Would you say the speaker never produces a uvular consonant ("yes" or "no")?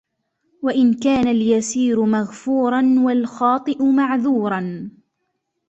yes